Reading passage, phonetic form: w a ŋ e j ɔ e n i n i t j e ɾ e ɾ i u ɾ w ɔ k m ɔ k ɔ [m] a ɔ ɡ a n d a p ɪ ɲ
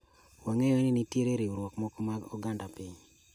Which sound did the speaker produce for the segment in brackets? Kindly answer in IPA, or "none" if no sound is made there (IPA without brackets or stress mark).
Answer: m